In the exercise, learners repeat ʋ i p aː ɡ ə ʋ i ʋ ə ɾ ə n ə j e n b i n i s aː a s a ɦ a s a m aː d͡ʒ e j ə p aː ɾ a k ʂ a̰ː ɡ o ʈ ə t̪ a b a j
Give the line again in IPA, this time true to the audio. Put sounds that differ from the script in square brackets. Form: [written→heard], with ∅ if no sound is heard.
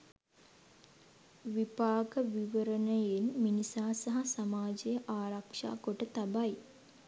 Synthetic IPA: ʋ i p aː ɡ ə ʋ i ʋ ə ɾ ə n ə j e n [b→m] i n i s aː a s a ɦ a s a m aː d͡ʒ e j ə [p→ʔ] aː ɾ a k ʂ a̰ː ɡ o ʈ ə t̪ a b a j